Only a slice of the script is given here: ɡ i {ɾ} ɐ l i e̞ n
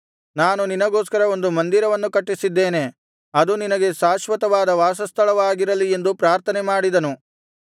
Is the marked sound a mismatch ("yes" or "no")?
no